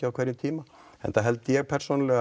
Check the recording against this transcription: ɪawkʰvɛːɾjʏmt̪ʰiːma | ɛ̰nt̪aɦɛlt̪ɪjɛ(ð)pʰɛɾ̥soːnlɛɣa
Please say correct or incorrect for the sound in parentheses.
incorrect